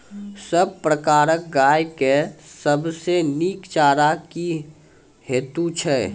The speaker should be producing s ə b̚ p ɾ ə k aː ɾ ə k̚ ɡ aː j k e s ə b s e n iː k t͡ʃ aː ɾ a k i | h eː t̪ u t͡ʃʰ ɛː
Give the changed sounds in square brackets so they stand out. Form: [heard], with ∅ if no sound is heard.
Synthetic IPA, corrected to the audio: s ə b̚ p ɾ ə k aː ɾ ə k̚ ɡ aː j k e s ə b s e n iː k t͡ʃ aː ɾ a k i | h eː t̪ u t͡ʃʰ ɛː